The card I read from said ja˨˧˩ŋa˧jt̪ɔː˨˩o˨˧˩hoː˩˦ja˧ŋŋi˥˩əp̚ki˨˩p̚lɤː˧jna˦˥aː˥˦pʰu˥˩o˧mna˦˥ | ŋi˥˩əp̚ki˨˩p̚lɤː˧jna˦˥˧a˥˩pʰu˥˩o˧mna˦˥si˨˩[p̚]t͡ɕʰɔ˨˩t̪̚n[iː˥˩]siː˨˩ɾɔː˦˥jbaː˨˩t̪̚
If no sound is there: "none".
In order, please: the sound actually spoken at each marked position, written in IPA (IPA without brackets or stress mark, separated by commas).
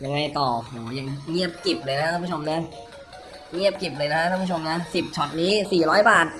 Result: p̚, iː˦˥